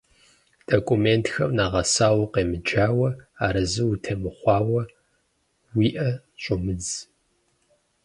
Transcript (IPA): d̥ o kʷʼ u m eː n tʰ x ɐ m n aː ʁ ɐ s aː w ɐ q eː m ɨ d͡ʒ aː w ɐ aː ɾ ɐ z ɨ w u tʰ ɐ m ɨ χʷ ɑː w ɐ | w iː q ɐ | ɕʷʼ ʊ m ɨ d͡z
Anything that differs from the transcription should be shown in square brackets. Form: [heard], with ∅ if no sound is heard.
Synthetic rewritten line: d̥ o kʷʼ u m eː n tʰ x ɐ m n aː ʁ ɐ s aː w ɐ q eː m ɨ d͡ʒ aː w ɐ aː ɾ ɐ z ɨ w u tʰ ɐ m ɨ χʷ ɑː w ɐ | w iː [ʔ] ɐ | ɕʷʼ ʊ m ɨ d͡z

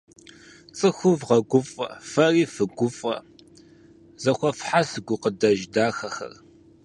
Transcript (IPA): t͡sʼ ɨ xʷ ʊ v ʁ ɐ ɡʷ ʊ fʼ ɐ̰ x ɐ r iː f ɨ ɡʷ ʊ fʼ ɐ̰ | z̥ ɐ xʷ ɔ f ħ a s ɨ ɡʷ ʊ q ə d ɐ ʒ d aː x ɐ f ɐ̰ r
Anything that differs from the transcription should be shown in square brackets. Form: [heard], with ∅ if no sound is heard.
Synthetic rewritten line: t͡sʼ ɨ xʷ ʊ v ʁ ɐ ɡʷ ʊ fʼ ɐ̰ [f] ɐ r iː f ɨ ɡʷ ʊ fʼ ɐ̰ | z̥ ɐ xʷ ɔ f ħ a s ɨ ɡʷ ʊ q ə d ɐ ʒ d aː x ɐ [x] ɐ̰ r

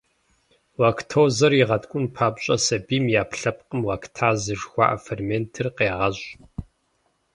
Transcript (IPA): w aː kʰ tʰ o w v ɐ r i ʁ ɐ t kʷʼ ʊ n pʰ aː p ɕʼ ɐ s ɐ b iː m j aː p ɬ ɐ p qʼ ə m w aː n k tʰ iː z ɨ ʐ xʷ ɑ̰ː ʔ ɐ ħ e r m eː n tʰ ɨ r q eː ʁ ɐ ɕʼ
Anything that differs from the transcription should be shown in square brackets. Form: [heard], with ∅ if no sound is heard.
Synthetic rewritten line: w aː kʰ tʰ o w [z] ɐ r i ʁ ɐ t kʷʼ ʊ n pʰ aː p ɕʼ ɐ s ɐ b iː m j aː p ɬ ɐ p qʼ ə m w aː [∅] k tʰ [aː] z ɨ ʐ xʷ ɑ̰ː ʔ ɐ [f] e r m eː n tʰ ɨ r q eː ʁ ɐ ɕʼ

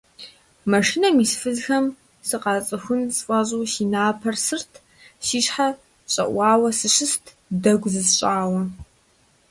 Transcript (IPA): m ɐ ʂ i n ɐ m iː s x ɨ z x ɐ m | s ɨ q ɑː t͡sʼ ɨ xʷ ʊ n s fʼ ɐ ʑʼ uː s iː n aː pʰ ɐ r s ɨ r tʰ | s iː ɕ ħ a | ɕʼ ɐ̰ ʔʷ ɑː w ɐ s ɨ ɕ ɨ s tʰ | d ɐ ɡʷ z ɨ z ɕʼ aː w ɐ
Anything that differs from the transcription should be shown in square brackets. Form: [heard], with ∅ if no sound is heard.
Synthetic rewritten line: m ɐ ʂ i n ɐ m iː s [f] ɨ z x ɐ m | s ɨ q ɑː t͡sʼ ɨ xʷ ʊ n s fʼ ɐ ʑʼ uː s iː n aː pʰ ɐ r s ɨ r tʰ | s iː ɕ ħ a | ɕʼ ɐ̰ ʔʷ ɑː w ɐ s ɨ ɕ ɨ s tʰ | d ɐ ɡʷ z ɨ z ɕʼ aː w ɐ

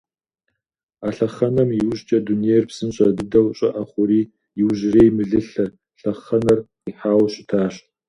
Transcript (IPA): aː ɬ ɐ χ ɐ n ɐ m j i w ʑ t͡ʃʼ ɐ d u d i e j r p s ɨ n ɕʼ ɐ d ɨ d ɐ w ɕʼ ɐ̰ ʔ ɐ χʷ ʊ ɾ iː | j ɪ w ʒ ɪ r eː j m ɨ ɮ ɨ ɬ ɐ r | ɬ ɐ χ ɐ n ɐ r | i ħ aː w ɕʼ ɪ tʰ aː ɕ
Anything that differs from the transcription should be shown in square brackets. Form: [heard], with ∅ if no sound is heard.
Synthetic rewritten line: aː ɬ ɐ χ ɐ n ɐ m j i w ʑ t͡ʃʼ ɐ d u [n] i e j r p s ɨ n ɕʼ ɐ d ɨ d ɐ w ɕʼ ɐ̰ ʔ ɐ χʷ ʊ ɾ iː | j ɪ w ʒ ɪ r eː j m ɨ ɮ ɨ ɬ ɐ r | ɬ ɐ χ ɐ n ɐ r | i ħ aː w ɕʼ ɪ tʰ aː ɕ

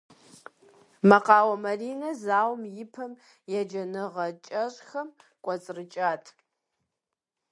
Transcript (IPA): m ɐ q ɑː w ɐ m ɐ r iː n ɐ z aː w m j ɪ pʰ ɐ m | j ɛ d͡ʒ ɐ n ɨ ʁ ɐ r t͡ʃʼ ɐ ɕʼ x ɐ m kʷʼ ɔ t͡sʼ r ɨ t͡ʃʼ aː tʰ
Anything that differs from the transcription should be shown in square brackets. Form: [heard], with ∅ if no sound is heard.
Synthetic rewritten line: m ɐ q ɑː w ɐ m ɐ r iː n ɐ z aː w m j ɪ pʰ ɐ m | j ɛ d͡ʒ ɐ n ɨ ʁ ɐ [∅] t͡ʃʼ ɐ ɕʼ x ɐ m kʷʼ ɔ t͡sʼ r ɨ t͡ʃʼ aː tʰ

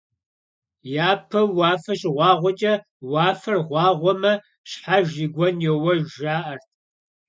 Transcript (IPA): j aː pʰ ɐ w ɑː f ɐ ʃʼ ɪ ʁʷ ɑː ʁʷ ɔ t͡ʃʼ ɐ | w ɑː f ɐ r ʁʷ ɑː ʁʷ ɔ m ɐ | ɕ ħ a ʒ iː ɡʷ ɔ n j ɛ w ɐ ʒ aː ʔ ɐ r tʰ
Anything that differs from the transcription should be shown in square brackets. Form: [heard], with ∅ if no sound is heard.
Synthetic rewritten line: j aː pʰ ɐ w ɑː f ɐ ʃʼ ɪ ʁʷ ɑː ʁʷ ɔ t͡ʃʼ ɐ | w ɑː f ɐ r ʁʷ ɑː ʁʷ ɔ m ɐ | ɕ ħ a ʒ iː ɡʷ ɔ n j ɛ w ɐ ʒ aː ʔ ɐ r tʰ

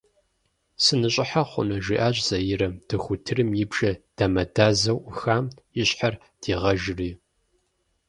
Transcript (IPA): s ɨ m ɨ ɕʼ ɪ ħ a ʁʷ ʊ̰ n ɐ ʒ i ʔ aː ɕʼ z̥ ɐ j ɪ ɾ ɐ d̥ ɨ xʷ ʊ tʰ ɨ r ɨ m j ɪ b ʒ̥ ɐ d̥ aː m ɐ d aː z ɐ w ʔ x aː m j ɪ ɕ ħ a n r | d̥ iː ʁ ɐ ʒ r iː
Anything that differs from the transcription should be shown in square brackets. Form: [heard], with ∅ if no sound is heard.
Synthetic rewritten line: s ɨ [n] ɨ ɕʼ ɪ ħ a [χʷ] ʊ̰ n ɐ ʒ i ʔ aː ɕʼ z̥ ɐ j ɪ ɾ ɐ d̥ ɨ xʷ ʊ tʰ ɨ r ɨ m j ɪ b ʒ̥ ɐ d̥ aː m ɐ d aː z ɐ w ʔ x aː m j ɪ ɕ ħ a [∅] r | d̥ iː ʁ ɐ ʒ r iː

